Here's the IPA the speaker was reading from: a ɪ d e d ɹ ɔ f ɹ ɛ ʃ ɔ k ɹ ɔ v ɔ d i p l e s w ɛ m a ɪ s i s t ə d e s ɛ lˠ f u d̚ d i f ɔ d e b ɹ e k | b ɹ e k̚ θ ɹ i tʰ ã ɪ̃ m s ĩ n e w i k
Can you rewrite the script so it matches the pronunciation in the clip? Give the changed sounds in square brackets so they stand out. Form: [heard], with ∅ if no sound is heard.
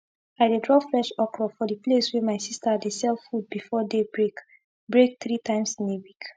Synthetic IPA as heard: a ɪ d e d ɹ ɔ f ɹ ɛ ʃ ɔ k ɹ ɔ [f] ɔ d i p l e s w ɛ m a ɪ s i s t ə d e s ɛ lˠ f u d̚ [b] i f ɔ d e b ɹ e k | b ɹ e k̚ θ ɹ i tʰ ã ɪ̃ m s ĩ n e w i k